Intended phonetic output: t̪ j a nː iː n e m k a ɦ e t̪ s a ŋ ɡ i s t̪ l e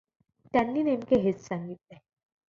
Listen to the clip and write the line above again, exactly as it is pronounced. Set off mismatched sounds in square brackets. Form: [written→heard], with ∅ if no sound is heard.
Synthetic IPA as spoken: t̪ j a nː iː n e m k [a→e] ɦ e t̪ s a ŋ ɡ i [s→∅] t̪ l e